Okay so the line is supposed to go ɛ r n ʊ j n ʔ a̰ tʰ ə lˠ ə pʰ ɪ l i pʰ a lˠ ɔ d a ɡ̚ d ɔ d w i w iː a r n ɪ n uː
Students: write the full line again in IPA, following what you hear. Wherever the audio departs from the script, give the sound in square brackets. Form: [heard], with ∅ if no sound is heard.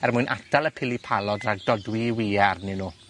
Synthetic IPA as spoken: ɛ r [m] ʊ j n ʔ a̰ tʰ [a] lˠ ə pʰ ɪ l i pʰ a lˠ ɔ d a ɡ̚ d ɔ d w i w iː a r n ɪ n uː